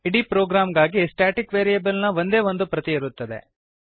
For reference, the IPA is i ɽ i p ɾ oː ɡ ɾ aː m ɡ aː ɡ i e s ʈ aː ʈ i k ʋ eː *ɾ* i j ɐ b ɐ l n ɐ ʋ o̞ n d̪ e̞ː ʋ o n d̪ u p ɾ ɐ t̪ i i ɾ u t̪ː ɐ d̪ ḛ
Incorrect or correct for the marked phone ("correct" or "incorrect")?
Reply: correct